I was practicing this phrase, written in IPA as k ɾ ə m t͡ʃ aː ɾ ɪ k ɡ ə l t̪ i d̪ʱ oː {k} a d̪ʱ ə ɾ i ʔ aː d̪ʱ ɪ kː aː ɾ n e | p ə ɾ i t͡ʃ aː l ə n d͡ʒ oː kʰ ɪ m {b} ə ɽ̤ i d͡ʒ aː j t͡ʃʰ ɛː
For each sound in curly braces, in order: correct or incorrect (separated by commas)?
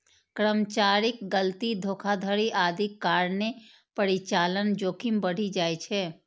incorrect, correct